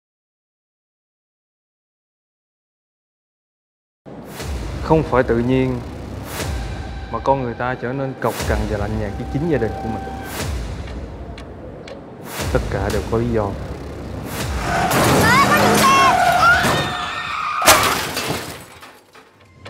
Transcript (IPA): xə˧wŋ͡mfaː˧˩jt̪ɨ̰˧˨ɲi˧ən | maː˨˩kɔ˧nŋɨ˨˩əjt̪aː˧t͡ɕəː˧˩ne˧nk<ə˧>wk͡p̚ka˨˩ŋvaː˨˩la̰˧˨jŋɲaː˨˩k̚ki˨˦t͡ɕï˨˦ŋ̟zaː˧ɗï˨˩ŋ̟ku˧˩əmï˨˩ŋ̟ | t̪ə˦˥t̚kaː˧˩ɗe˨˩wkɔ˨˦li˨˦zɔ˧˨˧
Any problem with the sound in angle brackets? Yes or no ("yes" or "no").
yes